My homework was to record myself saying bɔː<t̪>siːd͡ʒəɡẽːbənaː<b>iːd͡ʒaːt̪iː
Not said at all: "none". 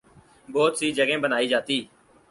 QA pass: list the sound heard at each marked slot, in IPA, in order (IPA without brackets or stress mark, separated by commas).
t̪, none